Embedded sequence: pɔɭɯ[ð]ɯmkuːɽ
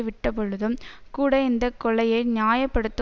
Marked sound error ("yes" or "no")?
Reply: no